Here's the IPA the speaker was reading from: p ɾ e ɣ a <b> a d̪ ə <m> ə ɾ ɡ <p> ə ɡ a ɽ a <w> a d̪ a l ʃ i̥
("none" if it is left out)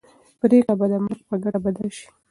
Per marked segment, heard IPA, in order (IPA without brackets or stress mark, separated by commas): b, m, p, b